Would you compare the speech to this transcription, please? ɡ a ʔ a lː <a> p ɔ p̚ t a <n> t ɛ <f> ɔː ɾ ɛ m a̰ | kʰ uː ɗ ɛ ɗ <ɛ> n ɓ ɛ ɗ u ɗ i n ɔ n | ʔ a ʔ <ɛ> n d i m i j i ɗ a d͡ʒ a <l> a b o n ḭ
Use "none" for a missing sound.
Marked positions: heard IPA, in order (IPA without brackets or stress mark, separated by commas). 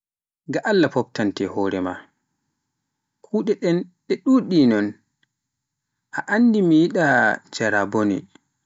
a, n, h, ɛ, a, ɾ